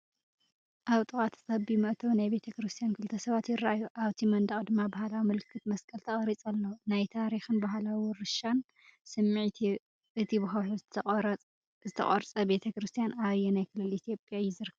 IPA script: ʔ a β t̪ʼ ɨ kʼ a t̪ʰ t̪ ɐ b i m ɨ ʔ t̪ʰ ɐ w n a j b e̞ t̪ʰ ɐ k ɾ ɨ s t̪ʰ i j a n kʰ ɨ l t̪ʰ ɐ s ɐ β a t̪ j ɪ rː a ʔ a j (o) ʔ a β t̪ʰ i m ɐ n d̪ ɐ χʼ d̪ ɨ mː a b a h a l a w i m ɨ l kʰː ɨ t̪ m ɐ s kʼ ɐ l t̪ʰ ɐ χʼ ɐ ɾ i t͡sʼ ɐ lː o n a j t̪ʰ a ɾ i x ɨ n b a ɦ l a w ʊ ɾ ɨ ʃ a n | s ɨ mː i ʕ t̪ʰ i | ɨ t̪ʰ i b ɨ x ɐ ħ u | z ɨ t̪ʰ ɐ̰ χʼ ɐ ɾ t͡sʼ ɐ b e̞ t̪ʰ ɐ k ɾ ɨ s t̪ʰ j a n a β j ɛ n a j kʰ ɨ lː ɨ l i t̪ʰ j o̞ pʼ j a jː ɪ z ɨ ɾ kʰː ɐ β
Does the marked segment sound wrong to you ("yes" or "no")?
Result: yes